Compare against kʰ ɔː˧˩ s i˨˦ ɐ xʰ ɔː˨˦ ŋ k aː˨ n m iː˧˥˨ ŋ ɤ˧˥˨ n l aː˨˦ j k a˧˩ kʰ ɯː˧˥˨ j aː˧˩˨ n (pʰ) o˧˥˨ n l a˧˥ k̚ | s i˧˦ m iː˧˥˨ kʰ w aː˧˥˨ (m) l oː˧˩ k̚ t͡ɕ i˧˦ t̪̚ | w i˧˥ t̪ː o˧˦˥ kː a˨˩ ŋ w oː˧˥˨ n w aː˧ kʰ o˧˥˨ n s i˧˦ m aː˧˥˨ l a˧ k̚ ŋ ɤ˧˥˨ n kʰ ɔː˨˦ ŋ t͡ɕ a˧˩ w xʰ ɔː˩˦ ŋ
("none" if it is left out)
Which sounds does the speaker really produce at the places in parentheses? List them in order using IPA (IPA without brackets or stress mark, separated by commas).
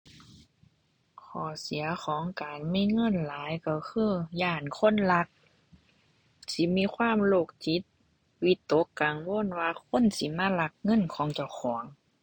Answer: kʰ, m